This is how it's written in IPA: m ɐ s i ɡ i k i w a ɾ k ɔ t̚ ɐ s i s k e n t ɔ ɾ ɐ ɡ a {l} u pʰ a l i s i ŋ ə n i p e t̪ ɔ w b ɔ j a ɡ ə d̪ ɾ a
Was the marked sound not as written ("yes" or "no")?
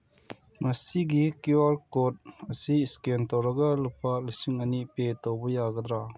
no